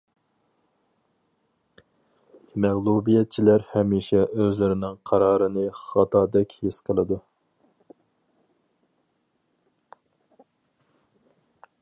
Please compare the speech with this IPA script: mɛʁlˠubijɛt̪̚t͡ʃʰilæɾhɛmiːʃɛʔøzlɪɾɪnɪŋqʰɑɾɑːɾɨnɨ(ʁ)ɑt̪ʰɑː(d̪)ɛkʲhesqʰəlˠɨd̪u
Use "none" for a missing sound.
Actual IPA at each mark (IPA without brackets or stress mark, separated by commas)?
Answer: χ, d̪